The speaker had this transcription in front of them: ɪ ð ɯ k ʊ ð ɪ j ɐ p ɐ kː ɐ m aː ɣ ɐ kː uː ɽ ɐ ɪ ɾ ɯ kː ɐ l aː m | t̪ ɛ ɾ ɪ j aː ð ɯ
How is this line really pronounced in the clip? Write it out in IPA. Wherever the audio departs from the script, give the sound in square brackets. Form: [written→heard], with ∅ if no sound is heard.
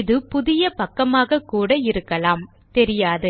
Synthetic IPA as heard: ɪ ð ɯ [k→p] ʊ ð ɪ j ɐ p ɐ kː ɐ m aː ɣ ɐ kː uː ɽ ɐ ɪ ɾ ɯ kː ɐ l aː m | t̪ ɛ ɾ ɪ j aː ð ɯ

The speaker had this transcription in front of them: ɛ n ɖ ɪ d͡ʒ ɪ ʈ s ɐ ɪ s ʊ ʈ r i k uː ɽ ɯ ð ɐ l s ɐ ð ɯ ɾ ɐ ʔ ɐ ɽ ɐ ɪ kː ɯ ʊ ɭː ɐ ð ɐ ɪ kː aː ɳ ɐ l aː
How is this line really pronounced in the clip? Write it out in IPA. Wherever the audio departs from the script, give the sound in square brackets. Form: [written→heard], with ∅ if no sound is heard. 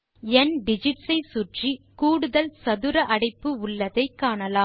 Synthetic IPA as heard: ɛ n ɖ ɪ d͡ʒ ɪ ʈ s ɐ ɪ s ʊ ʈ r i k uː ɽ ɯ ð ɐ l s ɐ ð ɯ ɾ ɐ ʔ ɐ ɽ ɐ ɪ [kː→pː] ɯ ʊ ɭː ɐ ð ɐ ɪ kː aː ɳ ɐ l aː

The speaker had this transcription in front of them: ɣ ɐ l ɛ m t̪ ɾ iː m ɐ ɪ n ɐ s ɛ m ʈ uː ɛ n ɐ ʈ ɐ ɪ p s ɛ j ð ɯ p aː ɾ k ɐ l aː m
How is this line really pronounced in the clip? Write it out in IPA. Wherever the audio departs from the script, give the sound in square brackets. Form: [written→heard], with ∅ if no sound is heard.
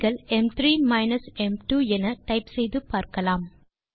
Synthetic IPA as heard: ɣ ɐ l ɛ m t̪ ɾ iː m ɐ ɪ n ɐ s ɛ m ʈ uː ɛ n ɐ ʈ ɐ ɪ p s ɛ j ð ɯ p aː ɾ k ɐ l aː m

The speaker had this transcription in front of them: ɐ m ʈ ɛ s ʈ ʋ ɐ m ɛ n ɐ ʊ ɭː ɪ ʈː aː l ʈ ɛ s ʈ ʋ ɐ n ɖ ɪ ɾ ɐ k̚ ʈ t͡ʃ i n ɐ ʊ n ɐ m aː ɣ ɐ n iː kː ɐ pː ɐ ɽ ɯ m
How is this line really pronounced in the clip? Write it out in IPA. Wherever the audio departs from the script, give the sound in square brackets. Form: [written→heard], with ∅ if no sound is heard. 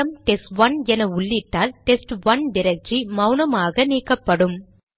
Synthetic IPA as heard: ɐ m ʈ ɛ s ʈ ʋ ɐ [m→n] ɛ n ɐ ʊ ɭː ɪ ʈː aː l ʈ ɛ s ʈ ʋ ɐ n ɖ ɪ ɾ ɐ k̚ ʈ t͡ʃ i [n→m] ɐ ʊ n ɐ m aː ɣ ɐ n iː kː ɐ pː ɐ ɽ ɯ m

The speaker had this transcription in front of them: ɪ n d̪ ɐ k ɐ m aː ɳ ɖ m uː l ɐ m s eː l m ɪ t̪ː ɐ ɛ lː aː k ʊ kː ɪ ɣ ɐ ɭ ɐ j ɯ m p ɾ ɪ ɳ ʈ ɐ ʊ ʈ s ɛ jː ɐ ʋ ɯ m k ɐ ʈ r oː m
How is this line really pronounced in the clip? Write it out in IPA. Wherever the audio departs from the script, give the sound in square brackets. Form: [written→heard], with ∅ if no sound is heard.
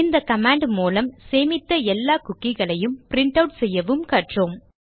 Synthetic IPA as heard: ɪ n d̪ ɐ k ɐ m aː ɳ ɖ m uː l ɐ m s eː [l→∅] m ɪ t̪ː ɐ ɛ lː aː k ʊ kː ɪ ɣ ɐ ɭ ɐ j ɯ m p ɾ ɪ ɳ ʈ ɐ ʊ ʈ s ɛ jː ɐ ʋ ɯ m k ɐ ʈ r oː m

